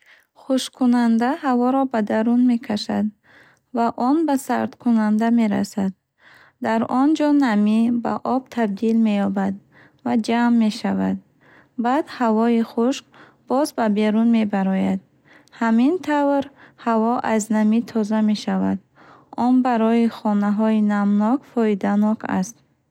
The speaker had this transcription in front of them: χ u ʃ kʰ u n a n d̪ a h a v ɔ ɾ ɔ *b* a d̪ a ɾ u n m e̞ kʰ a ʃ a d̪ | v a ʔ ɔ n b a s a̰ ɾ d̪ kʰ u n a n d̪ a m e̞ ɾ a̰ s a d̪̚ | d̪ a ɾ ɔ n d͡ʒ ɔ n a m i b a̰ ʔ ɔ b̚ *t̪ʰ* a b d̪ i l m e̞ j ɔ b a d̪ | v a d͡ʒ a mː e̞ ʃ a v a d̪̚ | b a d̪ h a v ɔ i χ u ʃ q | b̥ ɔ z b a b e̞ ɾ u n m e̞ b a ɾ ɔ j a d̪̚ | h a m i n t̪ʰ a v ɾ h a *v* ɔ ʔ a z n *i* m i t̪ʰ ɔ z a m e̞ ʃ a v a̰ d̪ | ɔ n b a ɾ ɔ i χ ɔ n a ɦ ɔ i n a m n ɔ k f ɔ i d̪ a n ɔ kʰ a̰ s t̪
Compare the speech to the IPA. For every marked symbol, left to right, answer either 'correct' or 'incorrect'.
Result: correct, correct, correct, incorrect

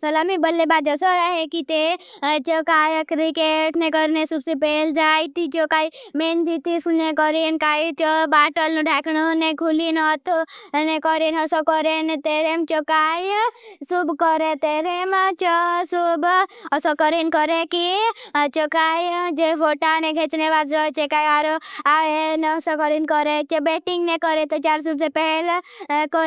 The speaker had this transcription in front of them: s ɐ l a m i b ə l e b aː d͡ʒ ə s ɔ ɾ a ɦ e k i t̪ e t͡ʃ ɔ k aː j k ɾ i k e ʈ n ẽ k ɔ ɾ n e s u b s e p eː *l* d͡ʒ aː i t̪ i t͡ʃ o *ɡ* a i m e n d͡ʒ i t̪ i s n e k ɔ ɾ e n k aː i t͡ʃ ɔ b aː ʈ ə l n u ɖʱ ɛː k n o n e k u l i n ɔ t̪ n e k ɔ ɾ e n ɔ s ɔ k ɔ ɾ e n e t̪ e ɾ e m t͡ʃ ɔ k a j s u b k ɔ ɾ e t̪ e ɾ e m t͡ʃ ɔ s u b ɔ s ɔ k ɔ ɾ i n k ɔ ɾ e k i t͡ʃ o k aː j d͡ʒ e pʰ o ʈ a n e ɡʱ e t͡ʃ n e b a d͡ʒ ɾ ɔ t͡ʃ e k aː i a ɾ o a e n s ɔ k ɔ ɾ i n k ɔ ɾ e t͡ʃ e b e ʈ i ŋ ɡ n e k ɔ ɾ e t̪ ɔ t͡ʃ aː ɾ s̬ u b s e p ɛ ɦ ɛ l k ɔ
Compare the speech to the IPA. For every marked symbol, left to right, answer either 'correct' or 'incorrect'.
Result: correct, incorrect

